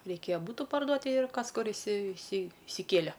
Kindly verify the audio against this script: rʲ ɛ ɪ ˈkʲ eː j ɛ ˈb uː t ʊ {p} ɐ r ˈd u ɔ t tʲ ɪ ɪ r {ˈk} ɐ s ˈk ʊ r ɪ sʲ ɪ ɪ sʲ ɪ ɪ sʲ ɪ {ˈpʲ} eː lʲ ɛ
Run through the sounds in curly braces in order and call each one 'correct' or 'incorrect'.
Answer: correct, correct, incorrect

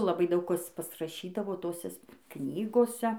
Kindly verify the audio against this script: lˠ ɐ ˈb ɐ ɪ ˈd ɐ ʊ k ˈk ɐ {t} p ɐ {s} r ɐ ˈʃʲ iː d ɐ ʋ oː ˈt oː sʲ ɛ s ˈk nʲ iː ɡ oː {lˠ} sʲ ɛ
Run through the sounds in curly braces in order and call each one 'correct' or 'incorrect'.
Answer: incorrect, correct, incorrect

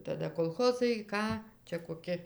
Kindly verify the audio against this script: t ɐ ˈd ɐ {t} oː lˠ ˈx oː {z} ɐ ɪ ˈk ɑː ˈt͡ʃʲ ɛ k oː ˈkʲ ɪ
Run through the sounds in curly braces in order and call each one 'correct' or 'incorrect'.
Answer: incorrect, correct

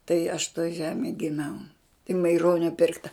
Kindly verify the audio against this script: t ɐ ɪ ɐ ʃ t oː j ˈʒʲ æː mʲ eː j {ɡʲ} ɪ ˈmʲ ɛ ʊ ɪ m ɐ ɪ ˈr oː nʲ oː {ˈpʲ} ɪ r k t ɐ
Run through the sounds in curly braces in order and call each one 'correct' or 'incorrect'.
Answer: correct, correct

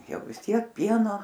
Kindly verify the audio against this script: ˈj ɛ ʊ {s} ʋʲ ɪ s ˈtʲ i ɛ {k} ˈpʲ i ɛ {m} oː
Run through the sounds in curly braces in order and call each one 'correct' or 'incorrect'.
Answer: incorrect, correct, incorrect

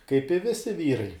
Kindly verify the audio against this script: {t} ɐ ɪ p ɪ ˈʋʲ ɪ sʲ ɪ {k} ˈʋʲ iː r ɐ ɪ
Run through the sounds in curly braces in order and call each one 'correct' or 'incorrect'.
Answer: incorrect, incorrect

